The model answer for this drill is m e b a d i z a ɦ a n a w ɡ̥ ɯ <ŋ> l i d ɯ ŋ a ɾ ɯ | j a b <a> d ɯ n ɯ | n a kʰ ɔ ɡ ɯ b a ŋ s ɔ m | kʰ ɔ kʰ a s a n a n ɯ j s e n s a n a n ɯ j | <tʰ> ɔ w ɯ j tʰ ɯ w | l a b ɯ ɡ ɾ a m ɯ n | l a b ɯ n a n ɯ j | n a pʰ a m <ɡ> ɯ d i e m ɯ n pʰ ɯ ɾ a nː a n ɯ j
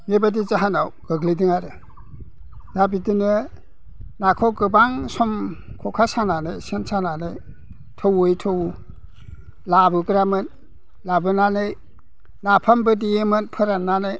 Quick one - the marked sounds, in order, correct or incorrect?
incorrect: ɡ, incorrect: i, correct, incorrect: b

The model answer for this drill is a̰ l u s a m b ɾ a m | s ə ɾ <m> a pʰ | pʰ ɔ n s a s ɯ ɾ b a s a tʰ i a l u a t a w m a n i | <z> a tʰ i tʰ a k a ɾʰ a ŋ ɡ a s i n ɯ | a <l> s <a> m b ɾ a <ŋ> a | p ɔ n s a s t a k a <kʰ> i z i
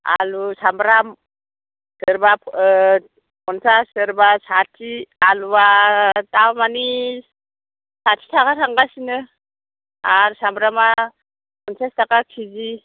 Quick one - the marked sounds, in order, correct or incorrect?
incorrect: b, incorrect: s, incorrect: ɾ, correct, incorrect: m, correct

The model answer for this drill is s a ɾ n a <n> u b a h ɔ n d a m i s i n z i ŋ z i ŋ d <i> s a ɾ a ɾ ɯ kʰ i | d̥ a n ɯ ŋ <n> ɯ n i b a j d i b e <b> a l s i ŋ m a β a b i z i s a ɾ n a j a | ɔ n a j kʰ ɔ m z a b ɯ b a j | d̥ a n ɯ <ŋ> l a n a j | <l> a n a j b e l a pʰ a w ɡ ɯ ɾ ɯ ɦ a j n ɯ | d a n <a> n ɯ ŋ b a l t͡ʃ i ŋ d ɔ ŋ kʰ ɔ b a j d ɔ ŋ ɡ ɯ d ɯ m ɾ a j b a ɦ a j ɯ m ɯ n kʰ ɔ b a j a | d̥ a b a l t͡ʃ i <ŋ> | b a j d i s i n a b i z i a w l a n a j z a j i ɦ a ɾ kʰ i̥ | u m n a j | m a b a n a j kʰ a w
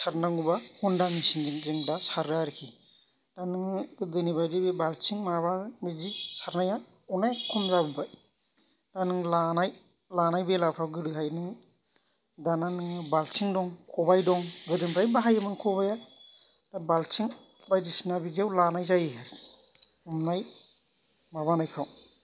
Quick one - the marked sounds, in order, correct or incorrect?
incorrect: ŋ, incorrect: a, incorrect: d, correct, correct, correct, correct, correct

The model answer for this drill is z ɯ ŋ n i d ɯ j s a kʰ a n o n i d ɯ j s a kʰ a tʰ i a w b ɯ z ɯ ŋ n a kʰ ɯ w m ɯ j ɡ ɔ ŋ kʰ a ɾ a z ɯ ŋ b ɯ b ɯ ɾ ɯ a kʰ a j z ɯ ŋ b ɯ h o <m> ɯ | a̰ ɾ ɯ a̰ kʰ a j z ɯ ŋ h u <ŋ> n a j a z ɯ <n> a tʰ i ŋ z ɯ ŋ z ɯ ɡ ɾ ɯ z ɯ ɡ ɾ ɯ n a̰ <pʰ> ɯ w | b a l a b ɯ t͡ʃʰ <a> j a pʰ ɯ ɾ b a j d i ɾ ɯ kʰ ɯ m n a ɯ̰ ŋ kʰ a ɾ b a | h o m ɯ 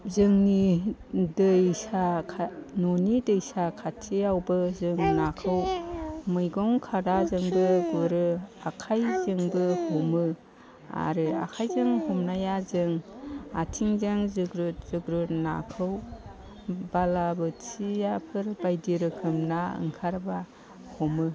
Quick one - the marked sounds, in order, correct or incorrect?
correct, incorrect: m, incorrect: ŋ, incorrect: kʰ, incorrect: i

